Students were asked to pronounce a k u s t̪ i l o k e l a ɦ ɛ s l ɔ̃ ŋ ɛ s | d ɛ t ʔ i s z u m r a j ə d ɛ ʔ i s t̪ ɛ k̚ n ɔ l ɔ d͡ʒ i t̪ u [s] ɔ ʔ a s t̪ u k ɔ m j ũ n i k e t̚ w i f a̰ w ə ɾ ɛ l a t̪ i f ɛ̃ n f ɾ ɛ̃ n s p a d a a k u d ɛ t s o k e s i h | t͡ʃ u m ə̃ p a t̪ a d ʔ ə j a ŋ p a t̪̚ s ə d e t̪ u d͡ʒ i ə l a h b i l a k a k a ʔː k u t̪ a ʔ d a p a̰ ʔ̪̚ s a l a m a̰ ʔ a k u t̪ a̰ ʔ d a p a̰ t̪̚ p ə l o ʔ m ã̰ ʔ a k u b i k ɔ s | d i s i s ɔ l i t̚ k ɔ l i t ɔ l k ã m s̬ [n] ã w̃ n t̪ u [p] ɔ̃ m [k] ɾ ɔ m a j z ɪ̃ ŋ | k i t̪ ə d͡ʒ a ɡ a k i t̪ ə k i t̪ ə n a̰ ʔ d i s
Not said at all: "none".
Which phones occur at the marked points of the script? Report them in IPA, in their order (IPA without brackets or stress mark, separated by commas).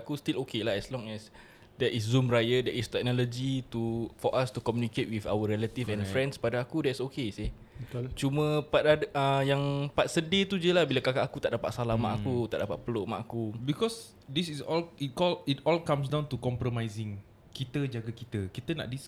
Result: f, d, k, p